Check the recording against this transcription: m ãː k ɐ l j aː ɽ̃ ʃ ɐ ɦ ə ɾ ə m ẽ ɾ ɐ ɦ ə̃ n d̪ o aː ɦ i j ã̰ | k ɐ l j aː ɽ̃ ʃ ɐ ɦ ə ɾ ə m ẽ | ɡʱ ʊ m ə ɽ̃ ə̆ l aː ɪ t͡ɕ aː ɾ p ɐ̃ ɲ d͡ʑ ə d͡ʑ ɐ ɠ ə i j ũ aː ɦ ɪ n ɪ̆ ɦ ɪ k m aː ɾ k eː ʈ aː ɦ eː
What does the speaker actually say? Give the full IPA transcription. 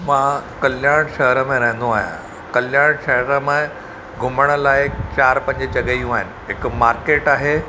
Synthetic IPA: m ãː k ɐ l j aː ɽ̃ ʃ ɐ ɦ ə ɾ ə m ẽ ɾ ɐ ɦ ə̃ n d̪ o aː ɦ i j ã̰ | k ɐ l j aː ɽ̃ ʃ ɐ ɦ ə ɾ ə m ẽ | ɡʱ ʊ m ə ɽ̃ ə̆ l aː ɪ t͡ɕ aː ɾ p ɐ̃ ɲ d͡ʑ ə d͡ʑ ɐ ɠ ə i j ũ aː ɦ ɪ n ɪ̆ ɦ ɪ k m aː ɾ k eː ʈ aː ɦ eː